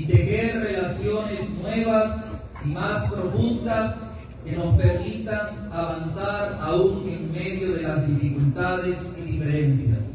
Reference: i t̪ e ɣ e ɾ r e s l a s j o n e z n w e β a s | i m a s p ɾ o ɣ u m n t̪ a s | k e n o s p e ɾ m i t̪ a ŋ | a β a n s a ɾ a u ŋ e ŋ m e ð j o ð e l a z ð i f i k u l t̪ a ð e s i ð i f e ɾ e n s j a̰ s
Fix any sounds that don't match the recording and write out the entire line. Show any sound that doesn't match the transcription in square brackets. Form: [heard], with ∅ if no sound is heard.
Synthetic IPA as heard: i t̪ e ɣ e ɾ r e [∅] l a s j o n e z n w e β a s | i m a s p ɾ o ɣ u [∅] n t̪ a s | k e n o s p e ɾ m i t̪ a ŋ | a β a n s a ɾ a u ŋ e ŋ m e ð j o ð e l a z ð i f i k u l t̪ a ð e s i ð i f e ɾ e n s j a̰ s